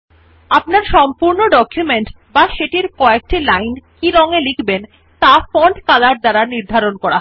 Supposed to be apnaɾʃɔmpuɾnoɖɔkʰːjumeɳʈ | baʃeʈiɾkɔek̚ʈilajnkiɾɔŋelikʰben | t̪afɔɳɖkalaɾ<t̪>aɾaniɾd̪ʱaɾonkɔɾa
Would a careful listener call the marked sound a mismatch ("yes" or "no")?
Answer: yes